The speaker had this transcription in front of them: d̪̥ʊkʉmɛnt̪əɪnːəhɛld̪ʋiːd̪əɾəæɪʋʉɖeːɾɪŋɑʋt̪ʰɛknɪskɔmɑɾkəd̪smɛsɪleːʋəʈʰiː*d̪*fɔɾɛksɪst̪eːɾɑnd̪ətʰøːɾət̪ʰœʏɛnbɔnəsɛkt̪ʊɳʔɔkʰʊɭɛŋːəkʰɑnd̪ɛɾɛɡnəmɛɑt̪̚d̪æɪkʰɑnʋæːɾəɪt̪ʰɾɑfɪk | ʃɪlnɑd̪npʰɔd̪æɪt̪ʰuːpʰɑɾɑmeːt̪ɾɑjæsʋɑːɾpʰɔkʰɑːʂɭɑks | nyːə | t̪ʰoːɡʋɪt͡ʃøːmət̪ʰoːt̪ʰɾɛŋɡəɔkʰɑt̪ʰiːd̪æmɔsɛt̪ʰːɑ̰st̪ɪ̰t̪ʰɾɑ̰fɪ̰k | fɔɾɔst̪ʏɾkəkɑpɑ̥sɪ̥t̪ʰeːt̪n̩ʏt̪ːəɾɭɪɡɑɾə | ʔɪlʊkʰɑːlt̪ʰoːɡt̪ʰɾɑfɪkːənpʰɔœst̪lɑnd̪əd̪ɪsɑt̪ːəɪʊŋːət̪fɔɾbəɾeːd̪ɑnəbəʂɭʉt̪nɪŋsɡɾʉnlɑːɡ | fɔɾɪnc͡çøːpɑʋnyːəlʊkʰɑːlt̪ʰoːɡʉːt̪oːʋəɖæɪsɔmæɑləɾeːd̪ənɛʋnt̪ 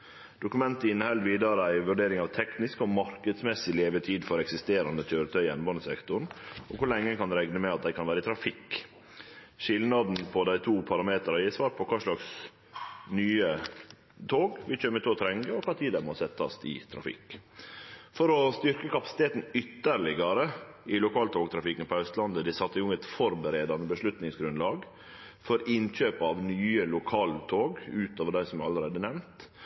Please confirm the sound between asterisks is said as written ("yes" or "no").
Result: yes